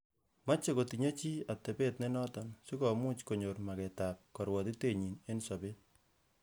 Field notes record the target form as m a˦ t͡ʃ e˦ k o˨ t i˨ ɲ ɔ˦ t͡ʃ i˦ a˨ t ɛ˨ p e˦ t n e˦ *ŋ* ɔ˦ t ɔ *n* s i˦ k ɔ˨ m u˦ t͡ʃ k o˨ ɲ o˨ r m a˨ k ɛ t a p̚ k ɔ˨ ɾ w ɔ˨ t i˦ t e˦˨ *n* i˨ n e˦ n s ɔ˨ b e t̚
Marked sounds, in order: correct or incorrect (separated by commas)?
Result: incorrect, correct, incorrect